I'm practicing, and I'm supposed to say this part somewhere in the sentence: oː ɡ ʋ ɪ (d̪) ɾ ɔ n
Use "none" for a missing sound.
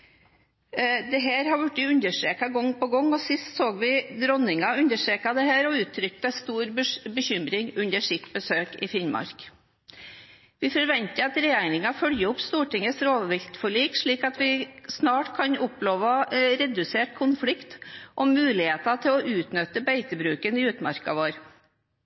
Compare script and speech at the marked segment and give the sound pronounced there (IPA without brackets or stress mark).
d̪